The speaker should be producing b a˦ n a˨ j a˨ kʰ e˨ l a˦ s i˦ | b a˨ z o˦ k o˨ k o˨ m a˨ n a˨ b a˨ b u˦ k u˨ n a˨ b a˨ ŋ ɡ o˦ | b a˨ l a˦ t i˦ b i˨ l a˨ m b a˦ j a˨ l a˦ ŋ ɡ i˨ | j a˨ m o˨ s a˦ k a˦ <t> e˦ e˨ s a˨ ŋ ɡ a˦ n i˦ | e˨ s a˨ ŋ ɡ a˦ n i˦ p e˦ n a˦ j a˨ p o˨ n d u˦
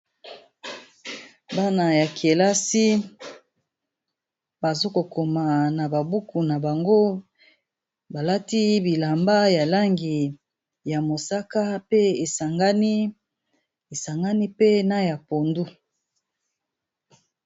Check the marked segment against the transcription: incorrect: p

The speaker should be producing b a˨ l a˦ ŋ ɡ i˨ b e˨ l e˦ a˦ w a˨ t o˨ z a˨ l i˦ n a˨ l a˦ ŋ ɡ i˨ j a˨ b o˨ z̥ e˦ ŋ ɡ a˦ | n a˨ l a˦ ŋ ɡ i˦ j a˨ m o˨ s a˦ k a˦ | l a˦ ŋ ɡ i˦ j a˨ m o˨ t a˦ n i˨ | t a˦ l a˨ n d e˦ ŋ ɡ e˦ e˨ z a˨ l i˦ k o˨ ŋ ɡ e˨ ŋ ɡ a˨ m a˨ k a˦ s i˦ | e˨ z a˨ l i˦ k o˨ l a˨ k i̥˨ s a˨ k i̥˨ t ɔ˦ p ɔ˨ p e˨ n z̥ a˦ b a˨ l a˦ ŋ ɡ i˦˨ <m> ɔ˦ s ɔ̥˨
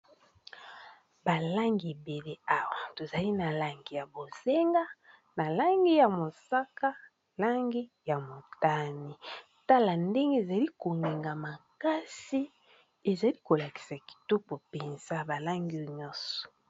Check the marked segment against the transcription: incorrect: ɲ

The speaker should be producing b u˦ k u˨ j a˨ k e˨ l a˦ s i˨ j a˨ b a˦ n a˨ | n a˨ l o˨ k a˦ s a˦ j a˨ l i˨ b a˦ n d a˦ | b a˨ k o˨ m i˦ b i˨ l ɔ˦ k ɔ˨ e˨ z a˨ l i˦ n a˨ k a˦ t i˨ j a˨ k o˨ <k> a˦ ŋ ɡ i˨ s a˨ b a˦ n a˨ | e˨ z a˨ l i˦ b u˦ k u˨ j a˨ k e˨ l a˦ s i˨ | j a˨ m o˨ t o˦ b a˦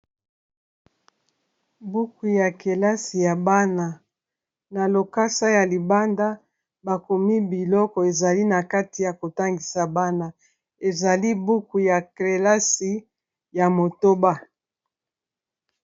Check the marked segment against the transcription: incorrect: t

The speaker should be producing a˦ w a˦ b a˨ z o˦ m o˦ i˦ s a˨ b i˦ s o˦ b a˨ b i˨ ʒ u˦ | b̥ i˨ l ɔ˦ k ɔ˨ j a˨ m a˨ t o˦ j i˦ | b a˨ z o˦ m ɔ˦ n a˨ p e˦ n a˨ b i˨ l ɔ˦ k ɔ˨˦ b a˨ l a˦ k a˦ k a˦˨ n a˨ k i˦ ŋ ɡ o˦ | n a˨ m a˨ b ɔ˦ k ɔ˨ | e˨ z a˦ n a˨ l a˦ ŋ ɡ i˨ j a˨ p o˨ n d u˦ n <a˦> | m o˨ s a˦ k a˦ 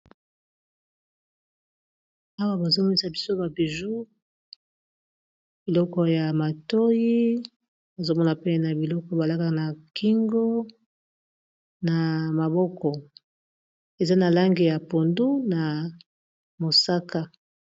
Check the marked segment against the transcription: incorrect: a˨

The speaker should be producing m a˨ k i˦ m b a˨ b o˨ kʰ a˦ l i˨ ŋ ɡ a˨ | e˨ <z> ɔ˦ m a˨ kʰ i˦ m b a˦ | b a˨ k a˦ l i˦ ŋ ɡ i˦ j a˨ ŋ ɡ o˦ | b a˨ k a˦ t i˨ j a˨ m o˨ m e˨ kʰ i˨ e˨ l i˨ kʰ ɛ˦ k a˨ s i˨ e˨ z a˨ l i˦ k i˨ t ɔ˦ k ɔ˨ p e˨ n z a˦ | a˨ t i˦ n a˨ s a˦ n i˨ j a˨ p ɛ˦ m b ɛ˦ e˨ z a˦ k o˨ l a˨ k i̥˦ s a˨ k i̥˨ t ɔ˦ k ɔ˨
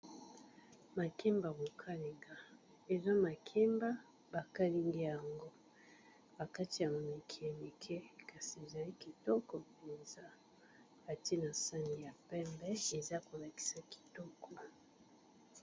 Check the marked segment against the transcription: correct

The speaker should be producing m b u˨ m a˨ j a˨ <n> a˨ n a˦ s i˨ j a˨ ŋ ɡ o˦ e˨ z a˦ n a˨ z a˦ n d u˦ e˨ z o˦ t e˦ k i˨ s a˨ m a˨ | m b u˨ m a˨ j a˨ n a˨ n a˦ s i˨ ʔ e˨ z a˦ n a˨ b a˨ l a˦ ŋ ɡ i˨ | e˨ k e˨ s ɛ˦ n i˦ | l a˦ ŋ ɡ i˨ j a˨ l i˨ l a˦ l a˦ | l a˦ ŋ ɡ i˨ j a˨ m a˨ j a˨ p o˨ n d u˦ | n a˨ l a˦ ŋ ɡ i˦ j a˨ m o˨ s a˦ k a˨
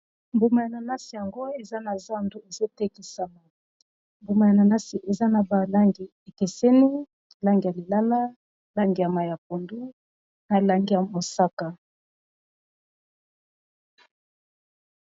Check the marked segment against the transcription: correct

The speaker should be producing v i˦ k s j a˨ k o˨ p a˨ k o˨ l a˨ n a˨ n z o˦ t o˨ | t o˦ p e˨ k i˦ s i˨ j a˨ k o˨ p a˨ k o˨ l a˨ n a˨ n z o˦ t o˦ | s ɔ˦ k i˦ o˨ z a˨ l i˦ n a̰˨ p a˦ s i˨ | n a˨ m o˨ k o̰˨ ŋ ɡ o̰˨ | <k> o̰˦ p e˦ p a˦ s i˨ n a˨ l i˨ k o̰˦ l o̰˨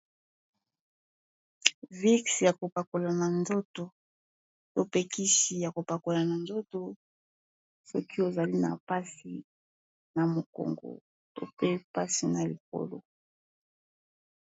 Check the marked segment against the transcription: incorrect: t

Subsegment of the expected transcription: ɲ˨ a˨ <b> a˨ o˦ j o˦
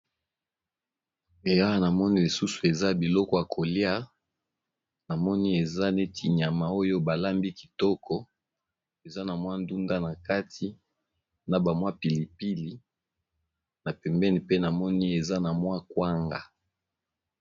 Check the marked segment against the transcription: incorrect: m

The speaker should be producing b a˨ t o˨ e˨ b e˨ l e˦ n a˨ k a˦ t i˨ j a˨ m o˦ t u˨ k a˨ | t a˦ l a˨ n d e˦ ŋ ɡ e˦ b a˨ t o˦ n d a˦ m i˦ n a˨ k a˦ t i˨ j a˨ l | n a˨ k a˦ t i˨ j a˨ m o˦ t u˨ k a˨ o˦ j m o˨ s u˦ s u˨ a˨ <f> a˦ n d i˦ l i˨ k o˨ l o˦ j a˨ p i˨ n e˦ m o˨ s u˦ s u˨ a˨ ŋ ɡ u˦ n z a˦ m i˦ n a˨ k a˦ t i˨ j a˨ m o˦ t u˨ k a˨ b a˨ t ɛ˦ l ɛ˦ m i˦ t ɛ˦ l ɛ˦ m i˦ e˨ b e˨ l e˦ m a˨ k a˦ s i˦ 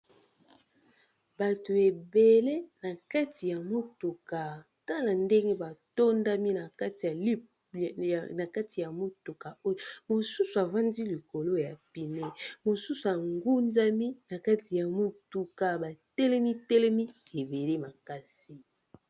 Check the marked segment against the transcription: incorrect: v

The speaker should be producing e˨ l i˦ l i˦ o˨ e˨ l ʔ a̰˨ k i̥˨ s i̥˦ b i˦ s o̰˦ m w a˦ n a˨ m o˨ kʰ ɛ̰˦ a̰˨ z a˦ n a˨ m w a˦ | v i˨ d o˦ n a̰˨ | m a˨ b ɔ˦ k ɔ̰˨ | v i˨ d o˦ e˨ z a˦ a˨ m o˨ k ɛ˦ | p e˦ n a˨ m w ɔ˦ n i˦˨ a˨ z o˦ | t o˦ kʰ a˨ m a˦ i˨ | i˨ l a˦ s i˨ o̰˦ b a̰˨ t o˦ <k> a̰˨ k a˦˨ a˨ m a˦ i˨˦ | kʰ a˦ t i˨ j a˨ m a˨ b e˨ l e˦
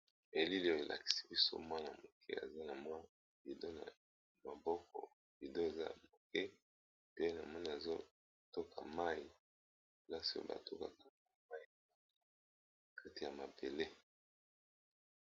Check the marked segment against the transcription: correct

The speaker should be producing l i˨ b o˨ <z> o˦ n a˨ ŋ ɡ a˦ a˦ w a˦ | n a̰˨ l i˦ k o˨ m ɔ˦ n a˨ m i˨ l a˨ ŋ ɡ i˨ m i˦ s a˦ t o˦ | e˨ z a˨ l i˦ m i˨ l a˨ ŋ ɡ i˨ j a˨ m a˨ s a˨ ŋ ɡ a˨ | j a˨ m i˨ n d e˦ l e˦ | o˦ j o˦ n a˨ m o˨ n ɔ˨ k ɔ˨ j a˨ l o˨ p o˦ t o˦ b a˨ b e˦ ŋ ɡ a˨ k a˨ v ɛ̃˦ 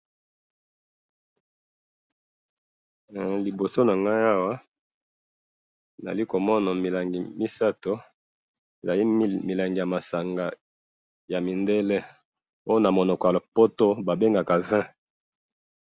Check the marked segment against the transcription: incorrect: s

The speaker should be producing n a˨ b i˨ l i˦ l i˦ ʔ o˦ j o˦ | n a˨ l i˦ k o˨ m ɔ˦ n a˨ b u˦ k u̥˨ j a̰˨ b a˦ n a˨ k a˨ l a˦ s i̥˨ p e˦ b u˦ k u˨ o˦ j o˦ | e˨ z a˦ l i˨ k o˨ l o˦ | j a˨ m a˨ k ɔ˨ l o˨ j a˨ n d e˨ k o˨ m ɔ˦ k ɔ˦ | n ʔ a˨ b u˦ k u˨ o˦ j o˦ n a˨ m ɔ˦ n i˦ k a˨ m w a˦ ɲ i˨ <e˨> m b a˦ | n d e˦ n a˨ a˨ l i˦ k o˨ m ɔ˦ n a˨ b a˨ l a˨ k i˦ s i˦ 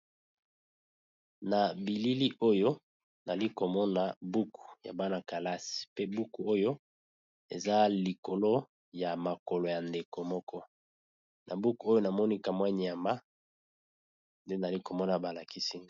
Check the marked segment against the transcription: incorrect: a˨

